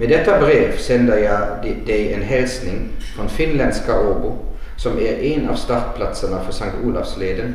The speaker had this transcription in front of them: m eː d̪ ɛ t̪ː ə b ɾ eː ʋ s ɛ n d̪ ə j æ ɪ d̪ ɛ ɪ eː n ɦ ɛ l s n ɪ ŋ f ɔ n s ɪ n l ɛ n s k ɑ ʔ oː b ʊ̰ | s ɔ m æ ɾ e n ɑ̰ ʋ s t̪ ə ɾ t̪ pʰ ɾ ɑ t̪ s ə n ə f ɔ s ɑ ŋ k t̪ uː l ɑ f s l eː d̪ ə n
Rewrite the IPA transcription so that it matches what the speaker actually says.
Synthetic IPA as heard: m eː d̪ ɛ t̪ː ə b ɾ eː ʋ s ɛ n d̪ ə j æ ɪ d̪ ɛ ɪ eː n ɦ ɛ l s n ɪ ŋ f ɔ n f ɪ n l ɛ n s k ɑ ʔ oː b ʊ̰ | s ɔ m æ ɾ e n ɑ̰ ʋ s t̪ ɑ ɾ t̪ pʰ l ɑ t̪ s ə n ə f ɔ s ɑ ŋ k t̪ uː l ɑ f s l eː d̪ ə n